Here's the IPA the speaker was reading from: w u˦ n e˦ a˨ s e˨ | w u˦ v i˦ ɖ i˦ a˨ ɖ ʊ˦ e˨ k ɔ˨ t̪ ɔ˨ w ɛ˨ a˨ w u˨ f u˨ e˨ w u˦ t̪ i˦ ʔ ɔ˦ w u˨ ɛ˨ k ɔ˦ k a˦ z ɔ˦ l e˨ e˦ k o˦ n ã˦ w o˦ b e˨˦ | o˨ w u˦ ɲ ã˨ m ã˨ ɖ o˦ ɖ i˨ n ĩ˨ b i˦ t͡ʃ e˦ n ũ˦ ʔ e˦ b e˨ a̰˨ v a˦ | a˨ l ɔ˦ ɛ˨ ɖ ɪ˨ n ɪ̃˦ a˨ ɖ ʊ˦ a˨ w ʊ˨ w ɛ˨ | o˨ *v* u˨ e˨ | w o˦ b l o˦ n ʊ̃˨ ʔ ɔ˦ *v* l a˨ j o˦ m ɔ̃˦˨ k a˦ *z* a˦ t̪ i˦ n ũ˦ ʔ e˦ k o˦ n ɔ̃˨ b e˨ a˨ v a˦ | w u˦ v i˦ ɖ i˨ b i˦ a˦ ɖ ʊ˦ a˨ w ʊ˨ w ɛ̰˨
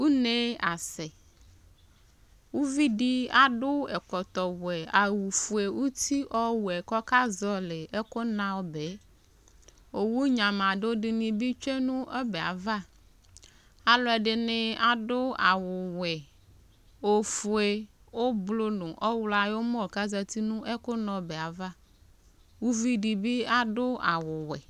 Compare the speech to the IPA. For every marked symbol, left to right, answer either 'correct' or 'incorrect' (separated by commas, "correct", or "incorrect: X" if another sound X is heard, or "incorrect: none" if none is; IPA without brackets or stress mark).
incorrect: f, incorrect: w, correct